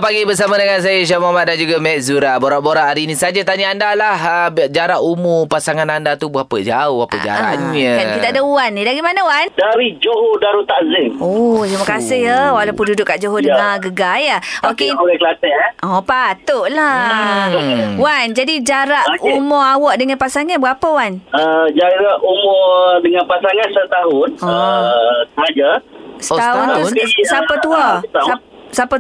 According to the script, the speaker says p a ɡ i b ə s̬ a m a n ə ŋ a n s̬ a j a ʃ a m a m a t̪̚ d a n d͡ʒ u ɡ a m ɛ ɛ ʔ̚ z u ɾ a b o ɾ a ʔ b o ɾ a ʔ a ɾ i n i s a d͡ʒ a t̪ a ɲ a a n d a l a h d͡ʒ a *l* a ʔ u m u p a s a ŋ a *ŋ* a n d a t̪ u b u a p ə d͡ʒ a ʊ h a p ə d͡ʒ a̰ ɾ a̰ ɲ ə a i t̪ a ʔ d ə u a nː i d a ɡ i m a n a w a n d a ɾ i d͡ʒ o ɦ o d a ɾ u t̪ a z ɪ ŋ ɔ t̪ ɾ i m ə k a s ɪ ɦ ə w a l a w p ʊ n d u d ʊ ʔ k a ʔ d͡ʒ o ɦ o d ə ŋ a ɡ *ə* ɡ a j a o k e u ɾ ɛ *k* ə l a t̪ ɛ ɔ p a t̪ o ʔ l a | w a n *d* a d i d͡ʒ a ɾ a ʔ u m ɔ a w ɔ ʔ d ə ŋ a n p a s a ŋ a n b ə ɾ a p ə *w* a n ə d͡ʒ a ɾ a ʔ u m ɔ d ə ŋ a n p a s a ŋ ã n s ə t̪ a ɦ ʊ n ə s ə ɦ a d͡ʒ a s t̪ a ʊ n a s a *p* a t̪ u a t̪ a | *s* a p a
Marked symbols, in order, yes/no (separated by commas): no, no, yes, yes, no, yes, yes, yes